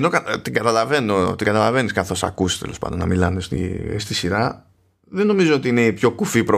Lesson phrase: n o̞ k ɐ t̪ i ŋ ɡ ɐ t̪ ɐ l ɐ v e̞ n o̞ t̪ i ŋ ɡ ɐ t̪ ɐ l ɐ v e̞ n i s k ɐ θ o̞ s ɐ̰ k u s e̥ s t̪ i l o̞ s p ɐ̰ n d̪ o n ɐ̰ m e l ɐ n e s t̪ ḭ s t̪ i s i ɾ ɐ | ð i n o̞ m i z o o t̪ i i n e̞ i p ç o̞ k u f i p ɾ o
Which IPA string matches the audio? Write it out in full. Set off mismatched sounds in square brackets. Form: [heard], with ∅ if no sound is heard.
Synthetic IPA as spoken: n o̞ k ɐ t̪ i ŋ ɡ ɐ t̪ ɐ l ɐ v e̞ n o̞ t̪ i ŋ ɡ ɐ t̪ ɐ l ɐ v e̞ n i s k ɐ θ o̞ s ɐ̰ k u s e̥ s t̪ [e] l o̞ s p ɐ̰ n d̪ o n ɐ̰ m [i] l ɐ n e s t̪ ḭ s t̪ i s i ɾ ɐ | ð [e] n o̞ m i z o o t̪ i i n e̞ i p ç o̞ k u f i p ɾ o